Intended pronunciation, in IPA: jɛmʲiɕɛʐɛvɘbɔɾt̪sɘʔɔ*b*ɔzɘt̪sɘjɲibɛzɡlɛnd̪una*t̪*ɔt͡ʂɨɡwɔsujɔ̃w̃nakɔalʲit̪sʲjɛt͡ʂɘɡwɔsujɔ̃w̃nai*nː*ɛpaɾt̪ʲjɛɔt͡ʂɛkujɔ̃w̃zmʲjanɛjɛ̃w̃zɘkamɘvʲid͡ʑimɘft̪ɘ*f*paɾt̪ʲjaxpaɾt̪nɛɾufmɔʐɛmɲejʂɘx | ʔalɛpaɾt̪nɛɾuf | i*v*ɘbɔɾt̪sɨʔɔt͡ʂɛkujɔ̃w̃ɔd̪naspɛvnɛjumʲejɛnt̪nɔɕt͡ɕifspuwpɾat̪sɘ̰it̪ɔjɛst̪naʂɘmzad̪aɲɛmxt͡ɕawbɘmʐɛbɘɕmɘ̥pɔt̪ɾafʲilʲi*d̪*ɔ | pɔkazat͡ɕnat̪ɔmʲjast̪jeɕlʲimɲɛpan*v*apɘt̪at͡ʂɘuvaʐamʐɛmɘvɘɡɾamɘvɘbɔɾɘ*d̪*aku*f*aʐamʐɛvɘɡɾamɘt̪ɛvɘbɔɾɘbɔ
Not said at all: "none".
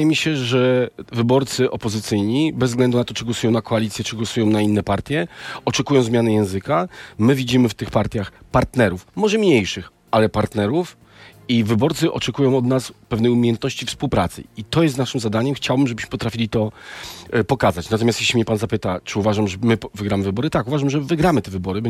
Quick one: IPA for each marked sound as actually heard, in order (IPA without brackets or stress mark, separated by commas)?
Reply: p, t̪, nː, x, v, t̪, z, t̪, v